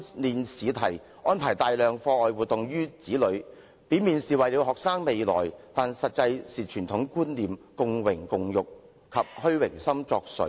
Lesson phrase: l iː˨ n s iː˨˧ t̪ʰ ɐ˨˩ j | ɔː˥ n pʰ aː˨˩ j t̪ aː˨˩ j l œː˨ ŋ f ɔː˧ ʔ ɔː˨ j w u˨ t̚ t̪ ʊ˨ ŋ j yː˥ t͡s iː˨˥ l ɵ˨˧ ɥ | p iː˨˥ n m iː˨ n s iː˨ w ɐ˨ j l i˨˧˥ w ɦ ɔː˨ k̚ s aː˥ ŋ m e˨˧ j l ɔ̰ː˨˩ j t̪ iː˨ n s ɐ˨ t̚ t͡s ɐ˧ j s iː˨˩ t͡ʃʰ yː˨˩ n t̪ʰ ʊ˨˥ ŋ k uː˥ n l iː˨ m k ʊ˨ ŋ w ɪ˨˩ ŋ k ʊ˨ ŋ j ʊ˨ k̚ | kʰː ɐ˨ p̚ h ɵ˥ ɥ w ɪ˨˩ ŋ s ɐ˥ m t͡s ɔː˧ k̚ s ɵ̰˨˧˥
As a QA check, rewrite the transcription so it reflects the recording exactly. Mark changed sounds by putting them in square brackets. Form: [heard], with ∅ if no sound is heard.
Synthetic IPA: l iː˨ n s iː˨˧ t̪ʰ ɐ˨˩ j | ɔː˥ n pʰ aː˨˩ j t̪ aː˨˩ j l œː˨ ŋ f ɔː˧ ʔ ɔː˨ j w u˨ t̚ t̪ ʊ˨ ŋ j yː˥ t͡s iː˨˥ l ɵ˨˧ ɥ | p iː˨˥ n m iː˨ n s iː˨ w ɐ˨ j l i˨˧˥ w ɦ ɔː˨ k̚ s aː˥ ŋ m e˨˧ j l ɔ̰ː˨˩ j t̪ [aː˨] n s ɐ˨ t̚ t͡s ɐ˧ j s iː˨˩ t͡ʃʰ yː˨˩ n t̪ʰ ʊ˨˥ ŋ k uː˥ n l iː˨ m k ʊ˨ ŋ w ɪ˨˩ ŋ k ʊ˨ ŋ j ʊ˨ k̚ | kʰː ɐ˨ p̚ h ɵ˥ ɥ w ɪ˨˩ ŋ s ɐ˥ m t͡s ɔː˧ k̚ s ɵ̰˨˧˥

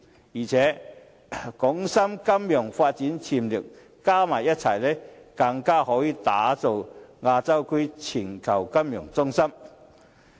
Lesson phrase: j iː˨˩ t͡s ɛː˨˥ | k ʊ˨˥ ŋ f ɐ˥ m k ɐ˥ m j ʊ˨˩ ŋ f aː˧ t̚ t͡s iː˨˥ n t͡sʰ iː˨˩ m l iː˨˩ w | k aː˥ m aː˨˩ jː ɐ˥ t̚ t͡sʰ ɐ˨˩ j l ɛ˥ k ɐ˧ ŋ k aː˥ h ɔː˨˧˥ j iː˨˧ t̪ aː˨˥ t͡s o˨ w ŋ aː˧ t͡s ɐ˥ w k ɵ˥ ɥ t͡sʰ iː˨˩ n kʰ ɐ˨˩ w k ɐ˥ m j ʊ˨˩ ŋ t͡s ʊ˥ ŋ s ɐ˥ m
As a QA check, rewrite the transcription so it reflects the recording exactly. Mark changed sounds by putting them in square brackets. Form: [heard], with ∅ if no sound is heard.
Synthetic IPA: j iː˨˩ [t͡sʰ] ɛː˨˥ | k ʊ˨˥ ŋ [s] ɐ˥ m k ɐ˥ m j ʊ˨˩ ŋ f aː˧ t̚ t͡s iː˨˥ n t͡sʰ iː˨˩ m l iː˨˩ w | k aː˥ m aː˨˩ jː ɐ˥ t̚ t͡sʰ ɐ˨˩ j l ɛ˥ k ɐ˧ ŋ k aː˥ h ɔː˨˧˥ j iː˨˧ t̪ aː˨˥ t͡s o˨ w ŋ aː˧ t͡s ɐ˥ w k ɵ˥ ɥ t͡sʰ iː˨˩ n kʰ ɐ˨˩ w k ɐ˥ m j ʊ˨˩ ŋ t͡s ʊ˥ ŋ s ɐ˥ m

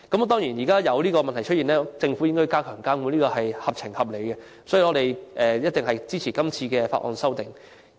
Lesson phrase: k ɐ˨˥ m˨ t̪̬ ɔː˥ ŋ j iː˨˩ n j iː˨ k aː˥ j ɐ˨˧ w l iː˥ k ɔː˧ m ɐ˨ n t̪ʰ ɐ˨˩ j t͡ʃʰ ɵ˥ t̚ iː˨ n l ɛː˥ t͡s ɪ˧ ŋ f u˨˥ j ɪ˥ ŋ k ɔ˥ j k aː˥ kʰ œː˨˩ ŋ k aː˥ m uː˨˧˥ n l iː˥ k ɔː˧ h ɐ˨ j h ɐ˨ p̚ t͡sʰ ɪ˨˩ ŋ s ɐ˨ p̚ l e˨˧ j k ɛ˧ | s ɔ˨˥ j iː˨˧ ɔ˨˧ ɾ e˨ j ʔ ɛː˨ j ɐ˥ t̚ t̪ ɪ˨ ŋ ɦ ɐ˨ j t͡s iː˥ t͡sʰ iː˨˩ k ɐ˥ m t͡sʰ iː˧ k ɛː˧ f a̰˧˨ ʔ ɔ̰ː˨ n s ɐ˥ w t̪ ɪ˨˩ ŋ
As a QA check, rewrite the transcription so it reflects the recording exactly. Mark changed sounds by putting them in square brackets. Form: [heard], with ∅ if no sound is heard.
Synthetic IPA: k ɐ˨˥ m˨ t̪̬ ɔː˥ ŋ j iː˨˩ n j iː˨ k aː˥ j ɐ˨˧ w l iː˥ k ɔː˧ m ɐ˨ n t̪ʰ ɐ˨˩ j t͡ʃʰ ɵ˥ t̚ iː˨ n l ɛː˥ t͡s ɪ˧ ŋ f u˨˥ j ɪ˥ ŋ k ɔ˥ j k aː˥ kʰ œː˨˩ ŋ k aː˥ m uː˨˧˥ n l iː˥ k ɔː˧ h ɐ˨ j h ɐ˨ p̚ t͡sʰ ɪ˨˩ ŋ [h] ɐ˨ p̚ l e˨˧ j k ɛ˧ | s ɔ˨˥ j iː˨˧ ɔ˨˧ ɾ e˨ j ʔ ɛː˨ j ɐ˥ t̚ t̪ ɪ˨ ŋ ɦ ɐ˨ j t͡s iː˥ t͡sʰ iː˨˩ k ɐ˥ m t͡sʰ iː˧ k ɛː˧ f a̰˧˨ ʔ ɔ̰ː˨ n s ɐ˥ w t̪ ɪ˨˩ ŋ

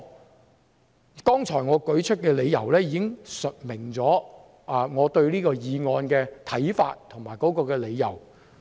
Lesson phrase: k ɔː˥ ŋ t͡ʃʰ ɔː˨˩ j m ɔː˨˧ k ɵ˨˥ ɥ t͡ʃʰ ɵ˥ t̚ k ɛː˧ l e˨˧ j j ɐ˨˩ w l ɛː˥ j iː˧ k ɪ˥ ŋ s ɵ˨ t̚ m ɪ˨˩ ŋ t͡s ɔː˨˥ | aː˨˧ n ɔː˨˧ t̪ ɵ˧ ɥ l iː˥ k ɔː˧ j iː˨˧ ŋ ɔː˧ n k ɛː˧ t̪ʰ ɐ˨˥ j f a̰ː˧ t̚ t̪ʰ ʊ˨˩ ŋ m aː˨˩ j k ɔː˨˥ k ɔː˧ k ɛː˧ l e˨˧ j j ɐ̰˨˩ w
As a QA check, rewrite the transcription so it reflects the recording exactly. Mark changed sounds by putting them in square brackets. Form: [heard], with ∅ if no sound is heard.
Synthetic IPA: k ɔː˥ ŋ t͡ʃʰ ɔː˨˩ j [ŋ] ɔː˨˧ k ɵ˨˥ ɥ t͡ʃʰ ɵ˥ t̚ k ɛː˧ l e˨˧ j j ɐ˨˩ w l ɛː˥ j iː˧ k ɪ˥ ŋ s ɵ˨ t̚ m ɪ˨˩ ŋ t͡s ɔː˨˥ | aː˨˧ [ŋ] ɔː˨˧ t̪ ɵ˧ ɥ l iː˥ k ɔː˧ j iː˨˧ ŋ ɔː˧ n k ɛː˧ t̪ʰ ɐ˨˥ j f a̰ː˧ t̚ t̪ʰ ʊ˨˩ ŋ m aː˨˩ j k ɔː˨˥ k ɔː˧ k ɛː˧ l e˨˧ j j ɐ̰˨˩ w

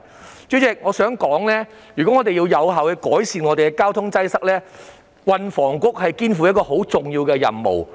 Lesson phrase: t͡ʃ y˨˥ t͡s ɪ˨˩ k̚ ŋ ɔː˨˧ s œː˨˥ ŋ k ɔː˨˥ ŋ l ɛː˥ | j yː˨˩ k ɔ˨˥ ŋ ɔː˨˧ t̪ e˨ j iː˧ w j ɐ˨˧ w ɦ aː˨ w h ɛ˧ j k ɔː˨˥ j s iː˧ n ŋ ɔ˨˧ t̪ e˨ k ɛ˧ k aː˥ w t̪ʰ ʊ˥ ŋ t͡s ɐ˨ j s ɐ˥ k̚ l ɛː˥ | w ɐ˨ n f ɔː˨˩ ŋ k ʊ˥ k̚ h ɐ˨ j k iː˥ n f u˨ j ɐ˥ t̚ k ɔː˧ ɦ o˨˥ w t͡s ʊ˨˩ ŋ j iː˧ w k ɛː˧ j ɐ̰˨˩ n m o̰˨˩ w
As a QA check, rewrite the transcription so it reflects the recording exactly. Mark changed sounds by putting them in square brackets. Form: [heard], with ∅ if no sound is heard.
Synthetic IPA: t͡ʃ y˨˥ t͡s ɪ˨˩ k̚ ŋ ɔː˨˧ s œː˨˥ ŋ k ɔː˨˥ ŋ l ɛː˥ | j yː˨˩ k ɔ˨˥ ŋ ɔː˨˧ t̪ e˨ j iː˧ w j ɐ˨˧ w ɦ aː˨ w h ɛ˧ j k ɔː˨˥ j s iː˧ n ŋ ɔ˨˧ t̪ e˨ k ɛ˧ k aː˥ w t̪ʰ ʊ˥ ŋ t͡s [ɐ˥] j s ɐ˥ k̚ l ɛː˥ | w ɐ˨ n f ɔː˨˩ ŋ k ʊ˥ k̚ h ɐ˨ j k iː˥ n f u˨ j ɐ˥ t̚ k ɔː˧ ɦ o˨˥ w t͡s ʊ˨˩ ŋ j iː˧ w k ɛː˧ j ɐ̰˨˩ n m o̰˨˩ w

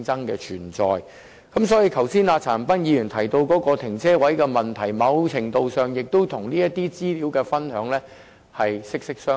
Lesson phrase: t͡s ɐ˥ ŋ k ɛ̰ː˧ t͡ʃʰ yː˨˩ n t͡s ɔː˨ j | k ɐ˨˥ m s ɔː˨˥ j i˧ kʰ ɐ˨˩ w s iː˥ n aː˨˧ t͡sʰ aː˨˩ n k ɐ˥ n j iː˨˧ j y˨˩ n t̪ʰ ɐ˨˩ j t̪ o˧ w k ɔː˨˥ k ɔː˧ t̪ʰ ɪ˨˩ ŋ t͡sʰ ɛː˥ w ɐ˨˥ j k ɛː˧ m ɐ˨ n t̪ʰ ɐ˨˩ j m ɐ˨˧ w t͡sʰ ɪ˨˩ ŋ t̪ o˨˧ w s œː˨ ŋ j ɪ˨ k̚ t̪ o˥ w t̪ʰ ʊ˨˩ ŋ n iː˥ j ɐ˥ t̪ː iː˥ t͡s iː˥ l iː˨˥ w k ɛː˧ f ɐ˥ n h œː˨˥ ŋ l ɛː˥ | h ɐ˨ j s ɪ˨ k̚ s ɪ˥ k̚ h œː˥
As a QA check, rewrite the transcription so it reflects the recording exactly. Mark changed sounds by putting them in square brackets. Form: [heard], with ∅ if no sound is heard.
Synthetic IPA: t͡s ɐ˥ ŋ k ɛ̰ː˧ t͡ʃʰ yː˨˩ n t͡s ɔː˨ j | k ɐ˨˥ m s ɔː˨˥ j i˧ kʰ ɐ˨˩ w s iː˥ n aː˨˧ t͡sʰ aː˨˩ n [p] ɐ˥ n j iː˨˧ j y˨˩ n t̪ʰ ɐ˨˩ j t̪ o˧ w k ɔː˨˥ k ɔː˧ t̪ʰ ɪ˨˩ ŋ t͡sʰ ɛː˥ w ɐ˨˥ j k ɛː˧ m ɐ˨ n t̪ʰ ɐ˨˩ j m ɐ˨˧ w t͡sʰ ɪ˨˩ ŋ t̪ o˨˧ w s œː˨ ŋ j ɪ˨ k̚ t̪ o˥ w t̪ʰ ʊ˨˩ ŋ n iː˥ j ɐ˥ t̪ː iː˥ t͡s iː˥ l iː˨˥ w k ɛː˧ f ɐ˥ n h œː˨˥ ŋ l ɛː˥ | h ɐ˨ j s [ɪ˥] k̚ s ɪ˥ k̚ [s] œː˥

